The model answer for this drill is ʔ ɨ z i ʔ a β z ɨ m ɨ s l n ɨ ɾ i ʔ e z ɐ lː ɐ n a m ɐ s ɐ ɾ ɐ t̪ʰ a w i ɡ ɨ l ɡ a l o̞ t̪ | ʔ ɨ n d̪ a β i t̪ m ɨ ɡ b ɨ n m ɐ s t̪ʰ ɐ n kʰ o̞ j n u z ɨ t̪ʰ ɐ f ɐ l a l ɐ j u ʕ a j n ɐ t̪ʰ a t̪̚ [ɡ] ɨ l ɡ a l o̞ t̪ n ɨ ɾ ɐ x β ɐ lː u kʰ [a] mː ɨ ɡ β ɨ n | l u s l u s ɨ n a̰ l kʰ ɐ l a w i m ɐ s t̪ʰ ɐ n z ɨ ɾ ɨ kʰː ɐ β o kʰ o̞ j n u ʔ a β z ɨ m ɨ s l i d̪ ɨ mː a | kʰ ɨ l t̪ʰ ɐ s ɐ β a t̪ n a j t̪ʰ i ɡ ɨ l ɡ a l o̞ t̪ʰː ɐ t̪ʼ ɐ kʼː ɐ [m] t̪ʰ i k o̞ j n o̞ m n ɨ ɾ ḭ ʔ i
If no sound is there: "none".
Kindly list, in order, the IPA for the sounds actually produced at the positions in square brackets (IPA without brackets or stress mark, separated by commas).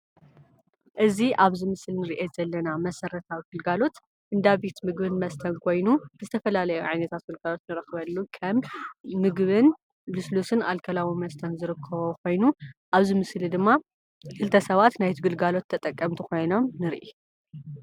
ɡ, ɐ, m